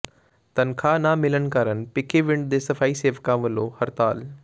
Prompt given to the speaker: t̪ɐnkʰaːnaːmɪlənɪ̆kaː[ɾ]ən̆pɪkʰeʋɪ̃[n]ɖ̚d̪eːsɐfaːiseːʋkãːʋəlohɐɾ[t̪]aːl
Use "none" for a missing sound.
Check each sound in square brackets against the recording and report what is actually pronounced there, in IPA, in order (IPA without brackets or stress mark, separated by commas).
ɾ, ɳ, t̪